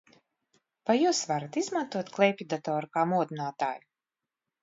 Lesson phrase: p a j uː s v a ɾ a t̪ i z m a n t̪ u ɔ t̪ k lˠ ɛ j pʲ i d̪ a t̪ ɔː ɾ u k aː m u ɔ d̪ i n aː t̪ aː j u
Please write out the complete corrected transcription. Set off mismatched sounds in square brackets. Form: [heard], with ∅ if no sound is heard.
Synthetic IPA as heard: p a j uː s v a ɾ a t̪ i z m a n t̪ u ɔ t̪ k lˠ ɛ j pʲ i d̪ a t̪ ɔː ɾ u k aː m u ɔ d̪ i n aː t̪ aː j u